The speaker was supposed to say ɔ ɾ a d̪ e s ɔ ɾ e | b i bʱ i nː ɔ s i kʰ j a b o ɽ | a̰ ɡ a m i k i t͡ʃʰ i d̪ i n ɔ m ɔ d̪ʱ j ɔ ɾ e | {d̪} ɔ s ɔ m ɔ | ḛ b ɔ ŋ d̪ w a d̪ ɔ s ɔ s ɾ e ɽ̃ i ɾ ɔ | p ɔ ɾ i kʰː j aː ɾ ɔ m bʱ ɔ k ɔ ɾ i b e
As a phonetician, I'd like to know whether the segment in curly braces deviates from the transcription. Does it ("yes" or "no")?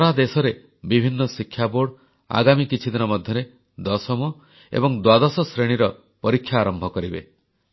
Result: no